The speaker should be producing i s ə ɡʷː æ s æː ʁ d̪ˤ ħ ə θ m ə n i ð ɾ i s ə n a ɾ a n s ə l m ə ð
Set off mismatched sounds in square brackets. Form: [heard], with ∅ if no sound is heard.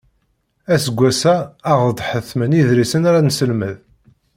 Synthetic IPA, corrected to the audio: [æ] s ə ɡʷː æ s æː ʁ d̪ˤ ħ ə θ m ə n i ð ɾ i s ə n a ɾ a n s ə l m ə ð